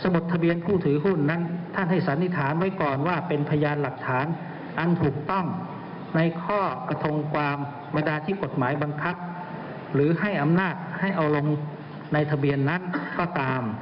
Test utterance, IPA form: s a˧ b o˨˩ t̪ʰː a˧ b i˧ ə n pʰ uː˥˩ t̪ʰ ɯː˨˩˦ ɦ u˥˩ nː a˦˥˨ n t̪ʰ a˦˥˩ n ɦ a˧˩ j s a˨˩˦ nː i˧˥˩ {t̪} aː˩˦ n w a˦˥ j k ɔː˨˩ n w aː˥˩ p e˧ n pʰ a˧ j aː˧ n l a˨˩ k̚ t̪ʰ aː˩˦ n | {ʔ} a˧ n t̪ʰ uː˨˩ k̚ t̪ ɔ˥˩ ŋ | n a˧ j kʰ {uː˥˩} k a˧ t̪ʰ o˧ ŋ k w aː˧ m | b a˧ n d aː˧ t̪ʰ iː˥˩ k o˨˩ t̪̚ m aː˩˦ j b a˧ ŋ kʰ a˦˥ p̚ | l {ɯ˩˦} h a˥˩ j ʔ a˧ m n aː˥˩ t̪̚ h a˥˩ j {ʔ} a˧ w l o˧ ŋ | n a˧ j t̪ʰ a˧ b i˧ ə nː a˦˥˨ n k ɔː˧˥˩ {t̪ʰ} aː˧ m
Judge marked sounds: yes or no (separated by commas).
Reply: no, yes, no, no, yes, no